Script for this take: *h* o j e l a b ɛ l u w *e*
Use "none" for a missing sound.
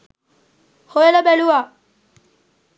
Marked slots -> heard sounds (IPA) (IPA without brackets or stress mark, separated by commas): h, a